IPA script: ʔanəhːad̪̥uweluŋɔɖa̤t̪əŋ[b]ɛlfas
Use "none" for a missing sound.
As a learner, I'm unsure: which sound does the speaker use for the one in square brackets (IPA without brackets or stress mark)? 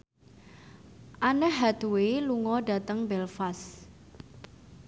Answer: b